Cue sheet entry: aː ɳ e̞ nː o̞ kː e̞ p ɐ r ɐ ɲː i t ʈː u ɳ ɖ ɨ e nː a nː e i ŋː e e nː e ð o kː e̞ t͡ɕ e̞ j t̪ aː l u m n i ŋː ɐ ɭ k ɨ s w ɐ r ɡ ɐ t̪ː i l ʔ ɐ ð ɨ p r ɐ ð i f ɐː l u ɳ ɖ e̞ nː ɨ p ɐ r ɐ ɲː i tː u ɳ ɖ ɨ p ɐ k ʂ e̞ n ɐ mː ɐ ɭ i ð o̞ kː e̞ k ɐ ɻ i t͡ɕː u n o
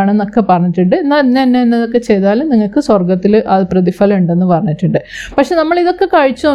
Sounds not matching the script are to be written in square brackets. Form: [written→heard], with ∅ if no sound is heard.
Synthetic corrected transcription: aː ɳ e̞ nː o̞ kː e̞ p ɐ r ɐ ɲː i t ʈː u ɳ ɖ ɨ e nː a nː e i [ŋː→nː] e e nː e ð o kː e̞ t͡ɕ e̞ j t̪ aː l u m n i ŋː ɐ ɭ k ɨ s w ɐ r ɡ ɐ t̪ː i l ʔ ɐ ð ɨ p r ɐ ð i f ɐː l u ɳ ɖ e̞ nː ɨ p ɐ r ɐ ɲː i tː u ɳ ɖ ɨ p ɐ k ʂ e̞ n ɐ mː ɐ ɭ i ð o̞ kː e̞ k ɐ ɻ i t͡ɕː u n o